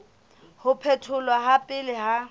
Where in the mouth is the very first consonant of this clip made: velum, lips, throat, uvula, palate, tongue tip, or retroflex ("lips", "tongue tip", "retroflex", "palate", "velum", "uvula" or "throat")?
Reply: throat